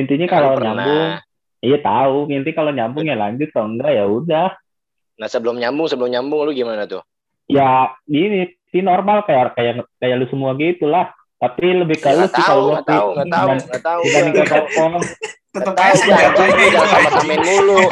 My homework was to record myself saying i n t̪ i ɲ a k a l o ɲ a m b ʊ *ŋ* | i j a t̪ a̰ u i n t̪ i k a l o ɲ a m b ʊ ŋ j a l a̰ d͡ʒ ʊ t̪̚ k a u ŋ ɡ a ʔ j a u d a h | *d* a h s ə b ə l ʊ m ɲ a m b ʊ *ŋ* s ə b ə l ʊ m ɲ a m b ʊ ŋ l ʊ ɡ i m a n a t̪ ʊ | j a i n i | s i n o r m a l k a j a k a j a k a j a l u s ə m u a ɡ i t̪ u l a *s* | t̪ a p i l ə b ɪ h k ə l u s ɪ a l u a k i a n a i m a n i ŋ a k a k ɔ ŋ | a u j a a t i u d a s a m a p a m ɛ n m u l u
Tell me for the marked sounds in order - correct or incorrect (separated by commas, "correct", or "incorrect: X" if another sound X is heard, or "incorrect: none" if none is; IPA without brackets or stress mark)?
correct, incorrect: n, correct, incorrect: h